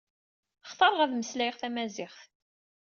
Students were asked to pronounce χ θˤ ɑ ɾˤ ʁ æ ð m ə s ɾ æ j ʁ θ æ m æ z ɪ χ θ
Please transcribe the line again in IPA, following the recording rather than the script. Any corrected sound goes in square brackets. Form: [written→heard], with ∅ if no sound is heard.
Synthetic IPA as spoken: χ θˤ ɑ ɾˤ ʁ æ ð m ə s [ɾ→l] æ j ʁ θ æ m æ z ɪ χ θ